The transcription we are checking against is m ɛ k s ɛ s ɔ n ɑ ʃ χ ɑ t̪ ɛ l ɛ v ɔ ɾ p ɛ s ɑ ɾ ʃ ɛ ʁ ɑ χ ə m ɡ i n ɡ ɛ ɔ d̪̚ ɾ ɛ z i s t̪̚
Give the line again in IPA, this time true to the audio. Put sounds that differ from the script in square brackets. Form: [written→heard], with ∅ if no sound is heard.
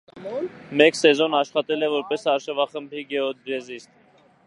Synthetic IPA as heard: m ɛ k s ɛ [s→z] ɔ n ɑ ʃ χ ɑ t̪ ɛ l ɛ v ɔ ɾ p ɛ s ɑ ɾ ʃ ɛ [ʁ→v] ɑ χ ə m [ɡ→b] i [n→∅] ɡ ɛ ɔ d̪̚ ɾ ɛ z i s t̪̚